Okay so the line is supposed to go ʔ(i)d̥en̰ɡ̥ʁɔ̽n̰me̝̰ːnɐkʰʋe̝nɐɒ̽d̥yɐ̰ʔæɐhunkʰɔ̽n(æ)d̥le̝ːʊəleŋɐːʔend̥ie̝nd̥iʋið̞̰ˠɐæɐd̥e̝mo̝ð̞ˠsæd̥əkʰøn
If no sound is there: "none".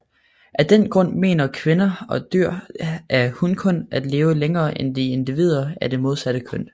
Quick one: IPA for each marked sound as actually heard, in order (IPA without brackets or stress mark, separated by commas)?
æ, æ